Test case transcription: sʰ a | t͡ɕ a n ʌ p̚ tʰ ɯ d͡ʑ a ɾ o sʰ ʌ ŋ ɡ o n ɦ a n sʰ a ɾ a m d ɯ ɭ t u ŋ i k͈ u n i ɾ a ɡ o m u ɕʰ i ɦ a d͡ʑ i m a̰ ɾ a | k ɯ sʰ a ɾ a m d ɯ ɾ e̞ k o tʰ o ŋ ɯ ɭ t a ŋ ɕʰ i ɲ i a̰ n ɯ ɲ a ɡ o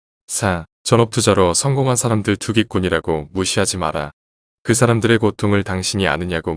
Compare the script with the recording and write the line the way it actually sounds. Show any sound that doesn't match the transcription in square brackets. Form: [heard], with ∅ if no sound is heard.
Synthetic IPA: sʰ a | t͡ɕ [ʌ] n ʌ p̚ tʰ [u] d͡ʑ a ɾ o sʰ ʌ ŋ ɡ o [ŋ] ɦ a n sʰ a ɾ a m d ɯ ɭ t u [ɡ] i k͈ u [ɲ] i ɾ a ɡ o m u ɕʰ i ɦ a d͡ʑ i m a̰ ɾ a | k ɯ sʰ a ɾ a m d ɯ ɾ e̞ k o tʰ o ŋ ɯ ɭ t a ŋ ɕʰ i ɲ i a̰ n ɯ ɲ a ɡ o